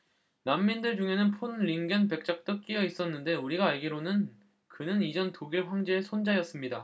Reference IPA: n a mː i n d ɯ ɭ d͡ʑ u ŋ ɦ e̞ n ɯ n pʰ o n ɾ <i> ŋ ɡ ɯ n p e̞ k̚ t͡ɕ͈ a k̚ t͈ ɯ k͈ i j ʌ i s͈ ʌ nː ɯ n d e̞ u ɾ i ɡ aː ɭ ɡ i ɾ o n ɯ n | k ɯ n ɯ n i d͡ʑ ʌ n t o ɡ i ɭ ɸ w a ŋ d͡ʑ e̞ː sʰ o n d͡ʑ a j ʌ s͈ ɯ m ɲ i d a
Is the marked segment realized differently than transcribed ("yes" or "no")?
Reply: no